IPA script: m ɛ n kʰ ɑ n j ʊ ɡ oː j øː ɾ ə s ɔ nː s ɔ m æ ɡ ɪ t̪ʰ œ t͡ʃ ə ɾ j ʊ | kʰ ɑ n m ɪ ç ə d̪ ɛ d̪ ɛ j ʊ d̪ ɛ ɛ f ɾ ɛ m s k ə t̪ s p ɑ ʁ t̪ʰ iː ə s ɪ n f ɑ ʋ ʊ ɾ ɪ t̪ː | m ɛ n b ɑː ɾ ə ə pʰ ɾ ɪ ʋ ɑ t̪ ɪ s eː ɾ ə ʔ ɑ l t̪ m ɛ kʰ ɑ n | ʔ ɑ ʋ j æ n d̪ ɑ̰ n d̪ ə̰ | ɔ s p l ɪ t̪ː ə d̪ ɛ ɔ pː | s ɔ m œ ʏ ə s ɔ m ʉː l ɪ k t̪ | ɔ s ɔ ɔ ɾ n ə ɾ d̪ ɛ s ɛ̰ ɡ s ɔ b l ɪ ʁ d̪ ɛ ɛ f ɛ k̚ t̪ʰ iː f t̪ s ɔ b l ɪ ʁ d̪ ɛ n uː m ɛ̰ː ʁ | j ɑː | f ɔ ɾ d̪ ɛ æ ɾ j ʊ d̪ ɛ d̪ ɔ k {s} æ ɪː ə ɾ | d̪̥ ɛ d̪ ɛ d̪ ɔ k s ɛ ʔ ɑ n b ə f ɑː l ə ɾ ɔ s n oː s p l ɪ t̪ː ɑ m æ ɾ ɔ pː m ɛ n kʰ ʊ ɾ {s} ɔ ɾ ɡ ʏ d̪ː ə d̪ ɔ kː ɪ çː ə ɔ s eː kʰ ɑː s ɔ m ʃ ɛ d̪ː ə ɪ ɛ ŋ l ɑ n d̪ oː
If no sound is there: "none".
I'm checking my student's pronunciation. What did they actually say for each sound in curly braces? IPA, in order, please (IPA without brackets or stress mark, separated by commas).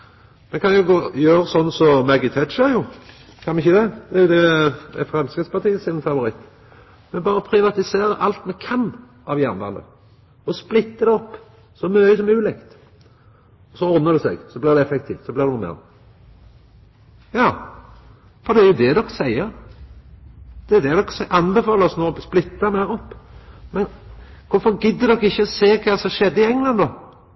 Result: s, f